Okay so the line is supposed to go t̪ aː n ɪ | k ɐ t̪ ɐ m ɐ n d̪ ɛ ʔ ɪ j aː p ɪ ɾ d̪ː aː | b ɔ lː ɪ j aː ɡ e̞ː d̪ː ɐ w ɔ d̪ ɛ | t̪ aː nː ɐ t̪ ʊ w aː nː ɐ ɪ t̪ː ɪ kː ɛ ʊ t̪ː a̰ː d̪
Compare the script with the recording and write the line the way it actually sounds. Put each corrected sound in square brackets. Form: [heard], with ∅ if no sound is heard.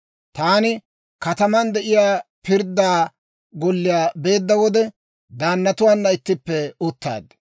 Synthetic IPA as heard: t̪ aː n ɪ | k ɐ t̪ ɐ m ɐ n d̪ ɛ ʔ ɪ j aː p ɪ ɾ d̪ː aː | [ɡ] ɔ lː ɪ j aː [b] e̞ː d̪ː ɐ w ɔ d̪ ɛ | [d̪] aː nː ɐ t̪ ʊ w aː nː ɐ ɪ t̪ː ɪ [pː] ɛ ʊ t̪ː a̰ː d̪